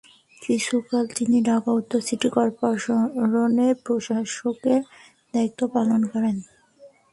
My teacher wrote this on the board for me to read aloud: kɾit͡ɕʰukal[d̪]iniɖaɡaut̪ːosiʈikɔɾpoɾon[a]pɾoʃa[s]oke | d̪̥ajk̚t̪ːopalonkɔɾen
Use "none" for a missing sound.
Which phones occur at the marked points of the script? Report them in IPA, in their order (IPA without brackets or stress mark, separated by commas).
t̪, e, ʃ